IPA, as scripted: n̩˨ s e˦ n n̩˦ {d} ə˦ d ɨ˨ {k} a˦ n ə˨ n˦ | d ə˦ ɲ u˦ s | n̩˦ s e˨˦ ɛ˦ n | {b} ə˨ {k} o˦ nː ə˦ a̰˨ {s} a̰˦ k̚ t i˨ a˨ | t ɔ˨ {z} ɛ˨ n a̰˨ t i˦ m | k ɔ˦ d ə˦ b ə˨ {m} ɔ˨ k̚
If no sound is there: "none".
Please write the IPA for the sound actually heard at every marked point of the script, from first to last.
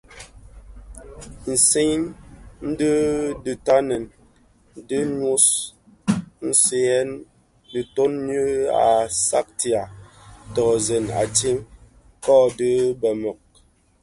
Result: d, t, d, t, s, z, m

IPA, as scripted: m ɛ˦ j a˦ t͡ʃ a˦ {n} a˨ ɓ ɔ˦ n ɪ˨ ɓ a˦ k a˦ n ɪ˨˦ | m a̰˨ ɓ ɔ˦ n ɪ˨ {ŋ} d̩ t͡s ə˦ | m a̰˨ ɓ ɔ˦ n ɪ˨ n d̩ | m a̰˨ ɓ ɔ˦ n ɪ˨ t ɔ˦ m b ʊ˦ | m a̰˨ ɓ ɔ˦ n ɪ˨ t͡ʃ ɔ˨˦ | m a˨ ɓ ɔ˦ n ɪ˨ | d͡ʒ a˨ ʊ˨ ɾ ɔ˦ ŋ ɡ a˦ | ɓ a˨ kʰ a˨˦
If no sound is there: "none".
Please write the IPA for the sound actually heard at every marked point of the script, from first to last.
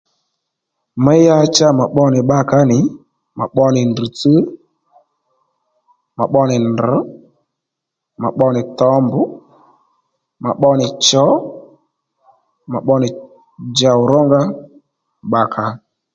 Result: m, n

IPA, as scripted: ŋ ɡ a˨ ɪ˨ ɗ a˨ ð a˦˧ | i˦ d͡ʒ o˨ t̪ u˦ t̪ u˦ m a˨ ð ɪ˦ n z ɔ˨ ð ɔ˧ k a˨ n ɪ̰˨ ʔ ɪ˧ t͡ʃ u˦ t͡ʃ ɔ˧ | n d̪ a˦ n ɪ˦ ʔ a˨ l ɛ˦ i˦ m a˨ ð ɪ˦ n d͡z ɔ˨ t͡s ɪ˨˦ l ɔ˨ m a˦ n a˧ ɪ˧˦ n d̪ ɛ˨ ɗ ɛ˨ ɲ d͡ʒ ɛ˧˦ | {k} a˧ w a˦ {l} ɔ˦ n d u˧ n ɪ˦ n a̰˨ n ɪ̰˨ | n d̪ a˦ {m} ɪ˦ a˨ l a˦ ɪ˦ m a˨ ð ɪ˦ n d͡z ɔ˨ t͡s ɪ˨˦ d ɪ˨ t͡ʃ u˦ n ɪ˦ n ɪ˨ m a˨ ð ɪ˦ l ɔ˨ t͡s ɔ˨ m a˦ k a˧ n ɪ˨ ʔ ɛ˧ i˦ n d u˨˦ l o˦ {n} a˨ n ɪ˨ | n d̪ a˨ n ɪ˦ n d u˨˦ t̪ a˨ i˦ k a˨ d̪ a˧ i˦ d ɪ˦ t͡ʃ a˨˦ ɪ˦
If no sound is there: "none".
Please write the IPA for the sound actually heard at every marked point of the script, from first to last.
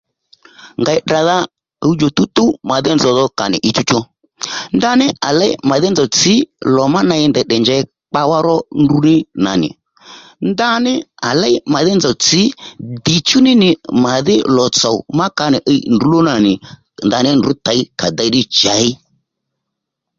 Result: k͡p, ɾ, n, n

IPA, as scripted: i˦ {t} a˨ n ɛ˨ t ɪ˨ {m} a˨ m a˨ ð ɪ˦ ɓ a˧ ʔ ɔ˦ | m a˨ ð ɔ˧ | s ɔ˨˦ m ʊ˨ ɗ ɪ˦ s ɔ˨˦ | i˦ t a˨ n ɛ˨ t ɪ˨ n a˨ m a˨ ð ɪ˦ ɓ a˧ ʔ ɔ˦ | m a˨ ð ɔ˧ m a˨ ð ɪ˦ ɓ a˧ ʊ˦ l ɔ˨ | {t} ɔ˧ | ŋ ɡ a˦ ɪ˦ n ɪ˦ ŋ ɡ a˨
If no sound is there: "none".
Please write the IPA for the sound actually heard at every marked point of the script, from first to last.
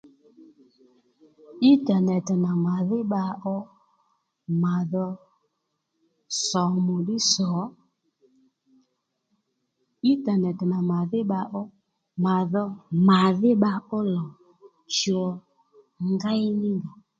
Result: t, n, t͡ʃ

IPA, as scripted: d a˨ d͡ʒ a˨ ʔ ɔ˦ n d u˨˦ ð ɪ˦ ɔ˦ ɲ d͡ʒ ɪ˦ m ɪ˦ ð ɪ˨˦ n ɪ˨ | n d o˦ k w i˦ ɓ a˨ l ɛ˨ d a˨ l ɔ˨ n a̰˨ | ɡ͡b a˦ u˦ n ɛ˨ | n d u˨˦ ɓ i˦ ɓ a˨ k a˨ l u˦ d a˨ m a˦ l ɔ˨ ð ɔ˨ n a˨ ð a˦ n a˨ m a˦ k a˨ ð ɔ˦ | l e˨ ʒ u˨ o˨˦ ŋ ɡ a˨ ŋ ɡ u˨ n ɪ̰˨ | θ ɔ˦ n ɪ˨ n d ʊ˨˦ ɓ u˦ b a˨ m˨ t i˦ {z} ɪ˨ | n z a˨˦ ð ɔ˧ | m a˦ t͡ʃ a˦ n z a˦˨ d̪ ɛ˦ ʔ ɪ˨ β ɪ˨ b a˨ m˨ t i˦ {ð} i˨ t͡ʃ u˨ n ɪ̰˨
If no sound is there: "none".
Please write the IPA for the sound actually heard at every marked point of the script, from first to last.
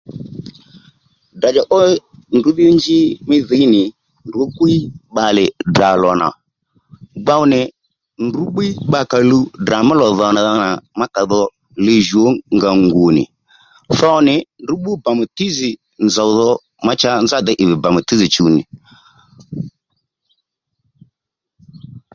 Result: z, z

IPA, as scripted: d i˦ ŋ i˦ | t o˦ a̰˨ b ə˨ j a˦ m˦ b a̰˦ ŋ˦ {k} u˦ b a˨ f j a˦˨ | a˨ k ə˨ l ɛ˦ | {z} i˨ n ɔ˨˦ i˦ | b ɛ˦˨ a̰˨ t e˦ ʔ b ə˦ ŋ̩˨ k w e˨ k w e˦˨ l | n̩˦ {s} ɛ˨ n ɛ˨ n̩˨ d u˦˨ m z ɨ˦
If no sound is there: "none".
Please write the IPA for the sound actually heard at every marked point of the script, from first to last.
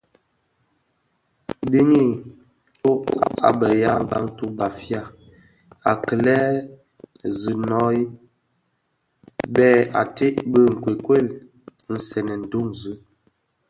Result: t, z, s

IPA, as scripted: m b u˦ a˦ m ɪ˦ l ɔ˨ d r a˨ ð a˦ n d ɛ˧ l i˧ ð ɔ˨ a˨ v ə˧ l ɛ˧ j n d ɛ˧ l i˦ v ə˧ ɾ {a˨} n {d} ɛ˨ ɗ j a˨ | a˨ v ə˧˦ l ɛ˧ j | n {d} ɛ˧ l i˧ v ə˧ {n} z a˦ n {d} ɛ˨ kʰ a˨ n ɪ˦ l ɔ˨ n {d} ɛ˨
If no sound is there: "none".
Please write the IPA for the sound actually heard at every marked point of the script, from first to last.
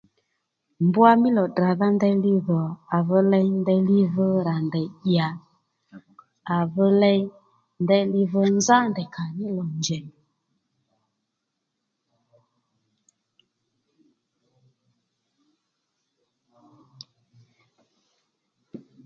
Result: a˨, d, d, n, d, d͡ʒ

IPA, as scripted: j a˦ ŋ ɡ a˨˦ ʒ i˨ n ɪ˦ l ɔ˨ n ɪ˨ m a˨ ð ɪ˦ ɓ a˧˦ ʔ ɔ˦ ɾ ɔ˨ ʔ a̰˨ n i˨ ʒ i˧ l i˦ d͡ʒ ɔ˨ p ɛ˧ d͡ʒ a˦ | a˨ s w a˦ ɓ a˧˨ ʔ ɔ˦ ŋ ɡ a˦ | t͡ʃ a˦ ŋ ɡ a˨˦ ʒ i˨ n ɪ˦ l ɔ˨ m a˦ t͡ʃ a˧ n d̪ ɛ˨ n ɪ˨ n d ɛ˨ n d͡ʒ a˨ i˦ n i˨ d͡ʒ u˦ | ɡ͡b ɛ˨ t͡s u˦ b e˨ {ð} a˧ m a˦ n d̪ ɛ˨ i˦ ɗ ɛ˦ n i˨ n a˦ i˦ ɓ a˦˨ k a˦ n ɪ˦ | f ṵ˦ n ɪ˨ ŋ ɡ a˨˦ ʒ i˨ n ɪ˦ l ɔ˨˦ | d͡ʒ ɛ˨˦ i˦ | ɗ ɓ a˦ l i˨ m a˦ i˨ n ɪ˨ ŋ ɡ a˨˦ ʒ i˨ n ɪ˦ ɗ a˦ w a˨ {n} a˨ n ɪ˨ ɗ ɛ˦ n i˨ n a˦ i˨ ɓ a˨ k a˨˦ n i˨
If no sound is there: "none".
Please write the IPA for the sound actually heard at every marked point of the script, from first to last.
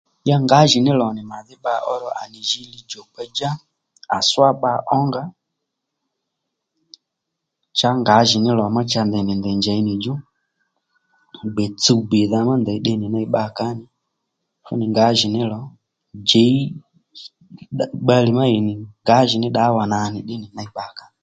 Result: ð, n

